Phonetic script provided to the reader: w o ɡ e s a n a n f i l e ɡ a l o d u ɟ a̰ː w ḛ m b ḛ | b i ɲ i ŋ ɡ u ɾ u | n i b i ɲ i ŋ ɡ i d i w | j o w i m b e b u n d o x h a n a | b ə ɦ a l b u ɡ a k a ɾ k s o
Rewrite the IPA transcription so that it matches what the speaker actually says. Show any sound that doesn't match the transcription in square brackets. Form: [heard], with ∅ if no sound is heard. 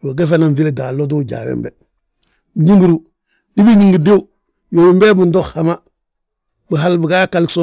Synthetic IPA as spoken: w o ɡ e [f] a n a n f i l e [d] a l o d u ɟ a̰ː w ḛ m b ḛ | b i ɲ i ŋ ɡ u ɾ u | n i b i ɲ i ŋ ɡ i d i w | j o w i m b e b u n d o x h a [m] a | b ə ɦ a l b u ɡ a k a [l] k s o